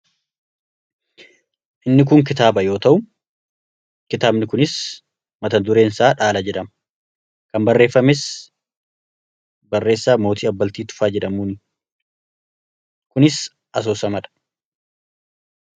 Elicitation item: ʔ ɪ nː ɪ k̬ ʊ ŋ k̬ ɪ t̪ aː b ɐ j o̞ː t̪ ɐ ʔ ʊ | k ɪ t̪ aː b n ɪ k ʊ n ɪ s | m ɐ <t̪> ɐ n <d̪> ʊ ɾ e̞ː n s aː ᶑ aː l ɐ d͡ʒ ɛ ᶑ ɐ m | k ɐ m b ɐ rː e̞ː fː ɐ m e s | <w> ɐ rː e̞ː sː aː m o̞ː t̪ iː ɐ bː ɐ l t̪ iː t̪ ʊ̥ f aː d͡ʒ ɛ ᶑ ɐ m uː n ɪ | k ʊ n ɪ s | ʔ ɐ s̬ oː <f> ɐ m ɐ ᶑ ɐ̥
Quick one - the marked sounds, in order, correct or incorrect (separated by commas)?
correct, correct, incorrect, incorrect